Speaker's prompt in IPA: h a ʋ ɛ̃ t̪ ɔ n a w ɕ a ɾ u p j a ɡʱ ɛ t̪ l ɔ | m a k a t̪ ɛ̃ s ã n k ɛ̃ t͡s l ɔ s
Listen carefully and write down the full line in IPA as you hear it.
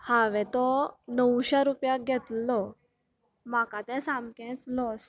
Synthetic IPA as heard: h a ʋ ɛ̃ t̪ ɔ n ə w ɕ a ɾ u p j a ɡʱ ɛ t̪ l ɔ | m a k a t̪ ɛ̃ s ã m k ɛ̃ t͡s l ɔ s